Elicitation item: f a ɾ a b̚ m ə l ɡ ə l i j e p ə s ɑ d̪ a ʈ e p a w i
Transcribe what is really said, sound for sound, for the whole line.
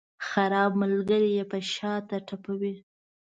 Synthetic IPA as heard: x a ɾ ɑ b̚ m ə l ɡ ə ɾ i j e p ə ʃ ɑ t̪ a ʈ a p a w i